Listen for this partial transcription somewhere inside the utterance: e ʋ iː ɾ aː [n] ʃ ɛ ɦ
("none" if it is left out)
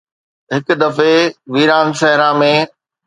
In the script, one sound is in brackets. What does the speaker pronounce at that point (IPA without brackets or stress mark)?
n